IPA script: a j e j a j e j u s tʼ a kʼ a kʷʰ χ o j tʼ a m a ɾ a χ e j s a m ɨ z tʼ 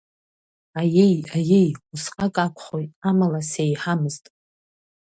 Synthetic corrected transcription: a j e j a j e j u s qʼ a kʼ a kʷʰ χ o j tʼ a m a l a s e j ħ a m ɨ z tʼ

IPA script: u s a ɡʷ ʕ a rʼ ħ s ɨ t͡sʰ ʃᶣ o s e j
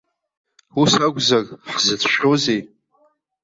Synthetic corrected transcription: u s a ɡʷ z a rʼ ħ z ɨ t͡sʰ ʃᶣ o z e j

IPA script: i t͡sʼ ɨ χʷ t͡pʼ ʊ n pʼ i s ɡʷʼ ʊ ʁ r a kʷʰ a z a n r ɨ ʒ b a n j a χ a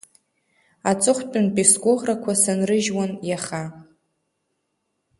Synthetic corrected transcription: a t͡sʼ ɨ χʷ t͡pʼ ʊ n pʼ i s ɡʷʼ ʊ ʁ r a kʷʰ a s a n r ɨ ʒ w a n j a χ a

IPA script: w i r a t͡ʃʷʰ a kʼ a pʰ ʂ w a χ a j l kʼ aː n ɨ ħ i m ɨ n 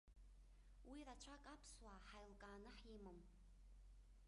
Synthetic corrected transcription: w i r a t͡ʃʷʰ a kʼ a pʰ s w a ħ a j l kʼ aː n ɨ ħ i m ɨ m

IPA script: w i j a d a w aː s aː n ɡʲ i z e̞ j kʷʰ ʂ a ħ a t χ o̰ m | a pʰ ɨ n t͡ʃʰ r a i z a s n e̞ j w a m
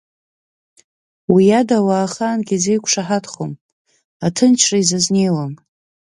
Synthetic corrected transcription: w i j a d a w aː χ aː n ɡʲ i z e̞ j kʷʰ ʂ a ħ a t χ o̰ m | a tʰ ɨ n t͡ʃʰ r a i z a z n e̞ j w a m

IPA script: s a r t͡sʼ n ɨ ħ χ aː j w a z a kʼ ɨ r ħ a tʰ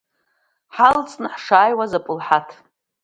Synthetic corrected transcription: ħ a l t͡sʼ n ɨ ħ ʂ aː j w a z a pʼ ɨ l ħ a tʰ

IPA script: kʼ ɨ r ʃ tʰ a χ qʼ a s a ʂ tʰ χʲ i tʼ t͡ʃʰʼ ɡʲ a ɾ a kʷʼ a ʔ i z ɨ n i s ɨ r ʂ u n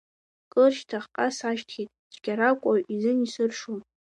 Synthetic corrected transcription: kʼ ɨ r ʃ tʰ a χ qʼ a s a ʃ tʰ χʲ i tʼ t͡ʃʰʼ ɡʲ a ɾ a kʷʼ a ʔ i z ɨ n i s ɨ r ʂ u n

